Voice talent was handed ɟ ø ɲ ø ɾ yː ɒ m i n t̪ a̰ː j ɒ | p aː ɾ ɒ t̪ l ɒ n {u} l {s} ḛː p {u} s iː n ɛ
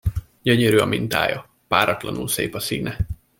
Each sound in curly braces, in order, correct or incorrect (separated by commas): correct, correct, incorrect